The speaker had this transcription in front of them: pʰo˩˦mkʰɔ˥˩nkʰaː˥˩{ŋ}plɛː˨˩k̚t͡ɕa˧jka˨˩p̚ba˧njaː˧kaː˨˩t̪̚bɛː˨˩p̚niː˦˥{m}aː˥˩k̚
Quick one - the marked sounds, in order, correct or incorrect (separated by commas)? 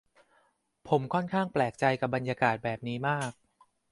correct, correct